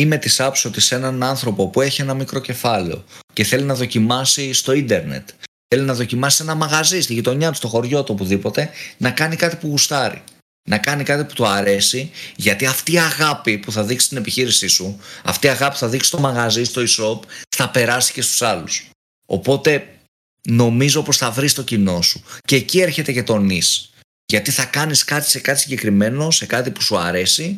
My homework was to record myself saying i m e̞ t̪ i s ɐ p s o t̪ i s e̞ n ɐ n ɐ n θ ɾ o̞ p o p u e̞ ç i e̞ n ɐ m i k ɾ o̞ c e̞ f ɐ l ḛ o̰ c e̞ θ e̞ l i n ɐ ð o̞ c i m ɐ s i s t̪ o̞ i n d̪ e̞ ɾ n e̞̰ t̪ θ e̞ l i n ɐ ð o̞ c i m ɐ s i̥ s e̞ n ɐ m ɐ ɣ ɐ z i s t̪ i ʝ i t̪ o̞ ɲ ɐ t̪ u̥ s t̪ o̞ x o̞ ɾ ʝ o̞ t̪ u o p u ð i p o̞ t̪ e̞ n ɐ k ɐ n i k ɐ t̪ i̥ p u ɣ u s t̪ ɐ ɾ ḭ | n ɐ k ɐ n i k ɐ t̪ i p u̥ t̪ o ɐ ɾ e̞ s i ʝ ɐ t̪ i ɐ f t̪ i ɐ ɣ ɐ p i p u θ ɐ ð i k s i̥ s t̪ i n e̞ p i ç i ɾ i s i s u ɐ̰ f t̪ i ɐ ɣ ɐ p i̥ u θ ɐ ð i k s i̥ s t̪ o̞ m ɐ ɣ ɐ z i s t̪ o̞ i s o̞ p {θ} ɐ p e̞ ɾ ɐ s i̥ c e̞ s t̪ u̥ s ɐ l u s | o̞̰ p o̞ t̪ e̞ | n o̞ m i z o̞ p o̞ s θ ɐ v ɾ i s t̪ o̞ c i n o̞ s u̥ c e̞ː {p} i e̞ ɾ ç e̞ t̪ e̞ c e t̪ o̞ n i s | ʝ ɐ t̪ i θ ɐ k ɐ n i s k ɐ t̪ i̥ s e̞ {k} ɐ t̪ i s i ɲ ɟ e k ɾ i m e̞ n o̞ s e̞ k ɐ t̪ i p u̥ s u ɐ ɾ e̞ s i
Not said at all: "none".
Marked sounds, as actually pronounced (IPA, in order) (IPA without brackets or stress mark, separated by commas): θ, c, k